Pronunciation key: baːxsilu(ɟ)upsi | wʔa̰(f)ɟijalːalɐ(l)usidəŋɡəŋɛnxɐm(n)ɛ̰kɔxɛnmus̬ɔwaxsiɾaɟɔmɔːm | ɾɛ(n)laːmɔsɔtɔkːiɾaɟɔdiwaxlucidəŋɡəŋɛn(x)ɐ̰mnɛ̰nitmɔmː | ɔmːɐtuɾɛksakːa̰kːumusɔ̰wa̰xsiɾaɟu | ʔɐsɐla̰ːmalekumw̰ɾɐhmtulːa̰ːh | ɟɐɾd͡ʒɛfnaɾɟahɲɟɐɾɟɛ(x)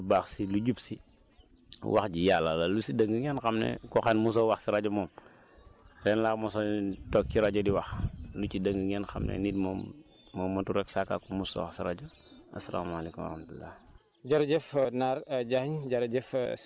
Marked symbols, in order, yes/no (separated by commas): yes, no, yes, yes, yes, yes, no